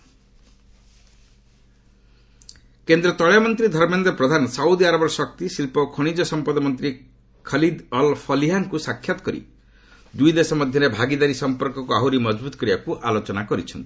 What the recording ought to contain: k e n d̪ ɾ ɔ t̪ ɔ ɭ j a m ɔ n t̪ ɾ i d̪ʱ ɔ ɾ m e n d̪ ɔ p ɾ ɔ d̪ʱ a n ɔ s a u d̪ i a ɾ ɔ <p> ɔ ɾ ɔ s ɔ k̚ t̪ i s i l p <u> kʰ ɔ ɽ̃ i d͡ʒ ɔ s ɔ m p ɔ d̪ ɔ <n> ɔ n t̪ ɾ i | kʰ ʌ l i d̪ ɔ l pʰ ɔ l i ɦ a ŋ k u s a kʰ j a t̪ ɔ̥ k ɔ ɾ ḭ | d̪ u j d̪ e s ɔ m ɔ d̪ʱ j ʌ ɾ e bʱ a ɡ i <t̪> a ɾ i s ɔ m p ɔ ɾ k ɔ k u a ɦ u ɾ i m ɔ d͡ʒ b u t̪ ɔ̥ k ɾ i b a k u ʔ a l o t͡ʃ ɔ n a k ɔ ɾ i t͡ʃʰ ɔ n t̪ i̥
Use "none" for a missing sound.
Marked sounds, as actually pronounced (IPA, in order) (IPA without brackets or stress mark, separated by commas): b, ɔ, m, d̪